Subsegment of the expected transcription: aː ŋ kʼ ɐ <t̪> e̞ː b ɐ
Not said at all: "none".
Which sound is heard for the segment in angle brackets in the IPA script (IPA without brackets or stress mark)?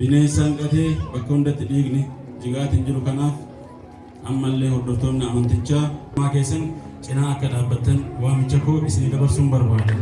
t̪